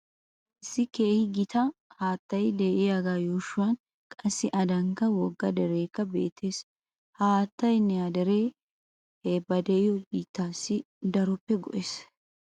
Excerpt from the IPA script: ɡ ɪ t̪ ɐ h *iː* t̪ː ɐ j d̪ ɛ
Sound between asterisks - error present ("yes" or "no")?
yes